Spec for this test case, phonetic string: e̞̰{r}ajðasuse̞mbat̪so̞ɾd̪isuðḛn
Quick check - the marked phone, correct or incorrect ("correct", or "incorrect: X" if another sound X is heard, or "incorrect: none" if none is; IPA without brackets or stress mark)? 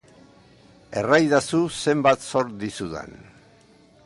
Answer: correct